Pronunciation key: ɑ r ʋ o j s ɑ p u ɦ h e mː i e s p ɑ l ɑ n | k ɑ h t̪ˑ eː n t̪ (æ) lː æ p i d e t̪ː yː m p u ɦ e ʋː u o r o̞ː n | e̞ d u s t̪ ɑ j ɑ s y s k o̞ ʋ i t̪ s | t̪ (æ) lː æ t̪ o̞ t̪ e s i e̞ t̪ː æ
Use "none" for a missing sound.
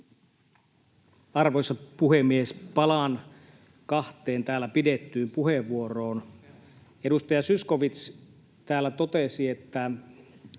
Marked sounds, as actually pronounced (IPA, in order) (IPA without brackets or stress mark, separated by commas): æː, æː